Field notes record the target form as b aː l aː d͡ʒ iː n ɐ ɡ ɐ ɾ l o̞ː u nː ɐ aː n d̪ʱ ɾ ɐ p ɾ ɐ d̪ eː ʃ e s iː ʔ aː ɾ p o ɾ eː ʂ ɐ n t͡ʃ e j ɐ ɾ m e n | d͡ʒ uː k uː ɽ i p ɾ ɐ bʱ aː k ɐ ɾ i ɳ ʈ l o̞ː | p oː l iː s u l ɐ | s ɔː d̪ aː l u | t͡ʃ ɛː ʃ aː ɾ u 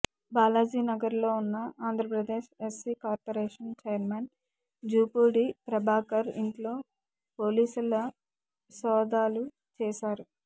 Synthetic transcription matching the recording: b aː l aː d͡ʒ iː n ɐ ɡ ɐ ɾ l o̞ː u nː ɐ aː n d̪ʱ ɾ ɐ p ɾ ɐ d̪ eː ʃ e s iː k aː ɾ p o ɾ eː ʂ ɐ n t͡ʃ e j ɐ ɾ m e n | d͡ʒ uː p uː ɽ i p ɾ ɐ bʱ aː k ɐ ɾ i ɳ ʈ l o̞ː | p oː l iː s u l ɐ | s ɔː d̪ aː l u | t͡ʃ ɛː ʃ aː ɾ u